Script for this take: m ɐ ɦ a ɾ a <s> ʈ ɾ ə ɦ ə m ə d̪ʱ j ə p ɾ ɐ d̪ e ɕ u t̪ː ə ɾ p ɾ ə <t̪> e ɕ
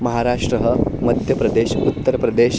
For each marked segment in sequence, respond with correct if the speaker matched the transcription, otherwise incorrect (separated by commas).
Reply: incorrect, incorrect